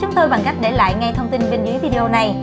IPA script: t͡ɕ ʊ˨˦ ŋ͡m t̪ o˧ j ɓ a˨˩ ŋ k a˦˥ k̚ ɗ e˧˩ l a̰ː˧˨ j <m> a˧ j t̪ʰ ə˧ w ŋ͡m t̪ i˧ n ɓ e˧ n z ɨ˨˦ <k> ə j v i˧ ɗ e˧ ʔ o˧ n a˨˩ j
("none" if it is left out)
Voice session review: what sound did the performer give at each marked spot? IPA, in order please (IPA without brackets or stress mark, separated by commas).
ŋ, none